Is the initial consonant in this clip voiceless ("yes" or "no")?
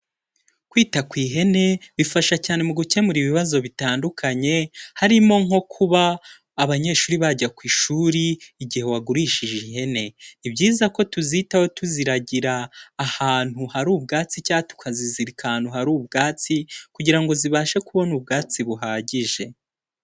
yes